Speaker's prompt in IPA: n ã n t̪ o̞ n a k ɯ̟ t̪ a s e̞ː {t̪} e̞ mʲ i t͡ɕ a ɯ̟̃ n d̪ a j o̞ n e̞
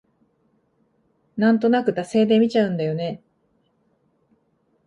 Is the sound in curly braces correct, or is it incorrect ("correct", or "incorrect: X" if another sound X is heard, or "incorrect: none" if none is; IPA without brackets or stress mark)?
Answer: incorrect: d̪